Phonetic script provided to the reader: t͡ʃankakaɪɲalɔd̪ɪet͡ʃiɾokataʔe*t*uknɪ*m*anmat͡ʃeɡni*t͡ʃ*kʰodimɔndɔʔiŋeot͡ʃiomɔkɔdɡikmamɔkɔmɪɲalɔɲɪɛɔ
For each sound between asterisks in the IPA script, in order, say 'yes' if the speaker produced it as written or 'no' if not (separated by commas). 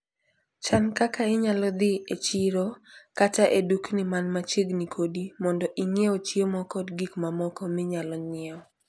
no, yes, no